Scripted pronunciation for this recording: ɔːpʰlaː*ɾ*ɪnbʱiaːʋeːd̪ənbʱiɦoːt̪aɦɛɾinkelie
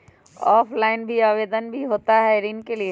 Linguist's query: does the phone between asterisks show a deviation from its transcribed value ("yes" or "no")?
yes